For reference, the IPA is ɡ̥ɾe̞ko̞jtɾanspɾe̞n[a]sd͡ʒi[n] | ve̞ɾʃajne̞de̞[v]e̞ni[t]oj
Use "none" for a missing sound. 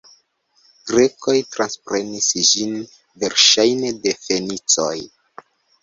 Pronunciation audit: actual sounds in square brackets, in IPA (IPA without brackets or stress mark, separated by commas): i, n, f, t͡s